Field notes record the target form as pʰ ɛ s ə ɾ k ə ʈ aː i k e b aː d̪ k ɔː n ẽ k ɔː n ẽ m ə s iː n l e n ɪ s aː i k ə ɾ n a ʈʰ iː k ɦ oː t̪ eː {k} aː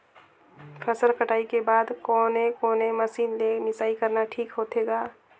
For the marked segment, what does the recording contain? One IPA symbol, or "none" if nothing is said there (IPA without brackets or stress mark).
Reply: ɡ